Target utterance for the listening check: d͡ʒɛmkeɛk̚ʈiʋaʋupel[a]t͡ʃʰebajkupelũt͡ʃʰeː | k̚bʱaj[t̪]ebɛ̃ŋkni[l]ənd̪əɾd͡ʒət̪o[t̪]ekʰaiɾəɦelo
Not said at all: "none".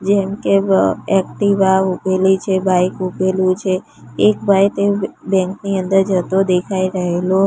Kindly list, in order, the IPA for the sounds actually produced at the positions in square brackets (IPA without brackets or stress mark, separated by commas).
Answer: i, t̪, none, d̪